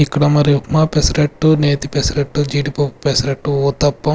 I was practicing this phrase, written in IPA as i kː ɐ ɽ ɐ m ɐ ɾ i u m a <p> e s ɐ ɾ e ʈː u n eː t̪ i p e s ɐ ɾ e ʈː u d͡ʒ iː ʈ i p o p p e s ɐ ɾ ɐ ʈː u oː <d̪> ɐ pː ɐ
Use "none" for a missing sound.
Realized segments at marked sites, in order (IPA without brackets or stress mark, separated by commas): p, t̪